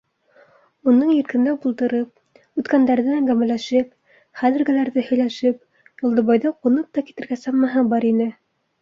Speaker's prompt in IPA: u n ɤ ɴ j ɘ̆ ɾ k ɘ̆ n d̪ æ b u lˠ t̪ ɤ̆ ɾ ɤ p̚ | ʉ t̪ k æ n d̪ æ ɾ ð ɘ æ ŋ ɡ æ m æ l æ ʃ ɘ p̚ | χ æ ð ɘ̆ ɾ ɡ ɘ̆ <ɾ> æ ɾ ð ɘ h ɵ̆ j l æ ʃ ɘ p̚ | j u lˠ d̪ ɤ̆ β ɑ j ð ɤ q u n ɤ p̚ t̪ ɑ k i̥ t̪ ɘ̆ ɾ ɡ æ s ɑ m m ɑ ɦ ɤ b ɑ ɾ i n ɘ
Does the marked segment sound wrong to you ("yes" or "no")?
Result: yes